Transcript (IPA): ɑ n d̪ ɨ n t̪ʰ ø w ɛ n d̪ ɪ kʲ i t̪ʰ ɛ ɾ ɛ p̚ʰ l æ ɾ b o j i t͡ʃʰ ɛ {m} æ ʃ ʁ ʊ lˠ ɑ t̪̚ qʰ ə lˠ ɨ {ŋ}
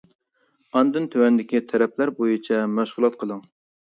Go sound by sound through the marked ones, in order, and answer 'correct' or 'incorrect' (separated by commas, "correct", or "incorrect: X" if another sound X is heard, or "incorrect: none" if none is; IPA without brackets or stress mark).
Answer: correct, correct